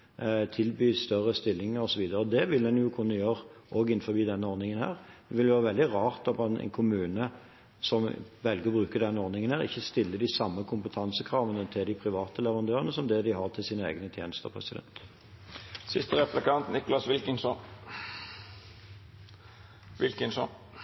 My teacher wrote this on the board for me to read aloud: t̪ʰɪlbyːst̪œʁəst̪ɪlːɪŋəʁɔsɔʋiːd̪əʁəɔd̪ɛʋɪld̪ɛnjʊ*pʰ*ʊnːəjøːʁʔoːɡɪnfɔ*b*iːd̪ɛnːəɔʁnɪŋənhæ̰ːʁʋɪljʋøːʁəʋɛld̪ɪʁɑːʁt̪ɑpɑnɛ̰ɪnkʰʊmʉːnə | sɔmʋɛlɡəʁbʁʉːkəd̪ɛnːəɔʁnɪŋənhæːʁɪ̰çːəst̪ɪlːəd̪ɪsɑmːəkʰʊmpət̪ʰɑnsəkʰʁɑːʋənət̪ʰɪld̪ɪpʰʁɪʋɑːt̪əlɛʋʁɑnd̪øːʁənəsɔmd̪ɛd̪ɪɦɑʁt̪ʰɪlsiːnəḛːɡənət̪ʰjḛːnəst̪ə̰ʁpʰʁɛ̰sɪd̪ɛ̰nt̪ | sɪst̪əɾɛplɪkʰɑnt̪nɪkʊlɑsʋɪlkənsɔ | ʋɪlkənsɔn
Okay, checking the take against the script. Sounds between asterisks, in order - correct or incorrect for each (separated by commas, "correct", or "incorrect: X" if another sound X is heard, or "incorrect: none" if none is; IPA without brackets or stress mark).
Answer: incorrect: kʰ, correct